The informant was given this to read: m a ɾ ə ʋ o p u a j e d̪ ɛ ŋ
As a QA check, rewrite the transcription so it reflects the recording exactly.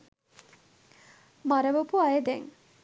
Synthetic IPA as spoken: m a ɾ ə ʋ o p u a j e d̪ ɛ ŋ

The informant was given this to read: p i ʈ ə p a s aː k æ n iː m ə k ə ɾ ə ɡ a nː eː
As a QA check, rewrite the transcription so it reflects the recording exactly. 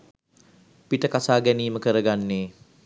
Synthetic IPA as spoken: p i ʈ ə k a s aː ɡ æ n iː m ə k ə ɾ ə ɡ a nː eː

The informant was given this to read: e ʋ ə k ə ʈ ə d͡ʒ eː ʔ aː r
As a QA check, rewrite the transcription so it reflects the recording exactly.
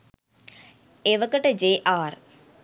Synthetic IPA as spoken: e ʋ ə k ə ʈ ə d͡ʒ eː ʔ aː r

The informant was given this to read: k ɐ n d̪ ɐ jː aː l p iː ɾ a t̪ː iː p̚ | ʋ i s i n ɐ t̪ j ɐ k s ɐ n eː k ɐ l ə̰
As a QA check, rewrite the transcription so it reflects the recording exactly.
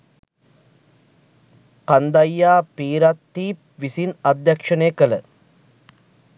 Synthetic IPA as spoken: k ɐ n d̪ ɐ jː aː p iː ɾ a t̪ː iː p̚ | ʋ i s i n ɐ d̪ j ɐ k ʂ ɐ n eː k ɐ l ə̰

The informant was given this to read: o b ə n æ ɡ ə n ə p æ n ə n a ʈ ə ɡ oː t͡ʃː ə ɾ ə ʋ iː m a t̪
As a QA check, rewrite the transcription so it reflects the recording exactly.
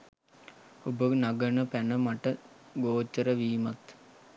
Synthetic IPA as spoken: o b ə n a ɡ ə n ə p æ n ə m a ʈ ə ɡ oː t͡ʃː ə ɾ ə ʋ iː m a t̪

